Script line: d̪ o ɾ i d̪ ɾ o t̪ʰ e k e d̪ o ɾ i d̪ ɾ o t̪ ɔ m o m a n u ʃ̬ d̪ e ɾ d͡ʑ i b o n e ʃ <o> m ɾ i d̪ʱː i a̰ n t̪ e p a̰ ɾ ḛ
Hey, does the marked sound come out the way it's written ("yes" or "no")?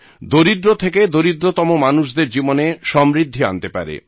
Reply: no